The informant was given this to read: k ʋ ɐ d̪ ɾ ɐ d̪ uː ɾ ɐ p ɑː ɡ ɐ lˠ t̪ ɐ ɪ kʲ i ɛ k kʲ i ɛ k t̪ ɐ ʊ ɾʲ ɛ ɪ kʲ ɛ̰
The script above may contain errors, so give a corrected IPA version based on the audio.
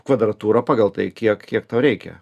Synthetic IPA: k ʋ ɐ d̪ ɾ ɐ t̪ uː ɾ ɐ p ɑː ɡ ɐ lˠ t̪ ɐ ɪ kʲ i ɛ k kʲ i ɛ k t̪ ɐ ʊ ɾʲ ɛ ɪ kʲ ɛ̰